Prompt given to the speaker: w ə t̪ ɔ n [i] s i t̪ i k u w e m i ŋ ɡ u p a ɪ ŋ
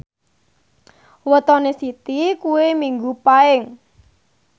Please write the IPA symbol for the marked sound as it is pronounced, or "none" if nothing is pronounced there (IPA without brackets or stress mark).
e